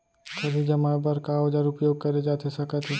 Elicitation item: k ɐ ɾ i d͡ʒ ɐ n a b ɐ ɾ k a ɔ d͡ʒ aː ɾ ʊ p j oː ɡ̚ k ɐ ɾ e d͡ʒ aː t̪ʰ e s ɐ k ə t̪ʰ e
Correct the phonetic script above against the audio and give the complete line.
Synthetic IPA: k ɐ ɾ i d͡ʒ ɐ m a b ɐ ɾ k a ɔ d͡ʒ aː ɾ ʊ p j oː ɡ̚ k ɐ ɾ e d͡ʒ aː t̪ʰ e s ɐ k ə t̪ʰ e